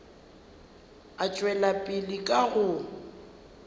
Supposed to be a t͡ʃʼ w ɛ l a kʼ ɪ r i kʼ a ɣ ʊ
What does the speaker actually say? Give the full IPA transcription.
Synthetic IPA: a t͡ʃʼ w ɛ l a pʼ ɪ l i kʼ a ɣ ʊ